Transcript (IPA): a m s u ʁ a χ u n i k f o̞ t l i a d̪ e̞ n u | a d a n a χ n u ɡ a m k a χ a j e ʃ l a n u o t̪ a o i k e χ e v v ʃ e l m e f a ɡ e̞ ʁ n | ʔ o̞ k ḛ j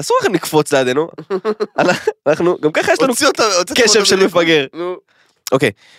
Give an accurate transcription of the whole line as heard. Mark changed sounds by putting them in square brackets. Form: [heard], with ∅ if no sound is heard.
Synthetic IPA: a [∅] s u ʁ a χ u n i k f o̞ [t͡s] l [e] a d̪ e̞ n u | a [n] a n a χ n u ɡ a m k a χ a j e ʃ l a n u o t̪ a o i k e [ʃ] e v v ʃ e l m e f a ɡ e̞ ʁ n | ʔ o̞ k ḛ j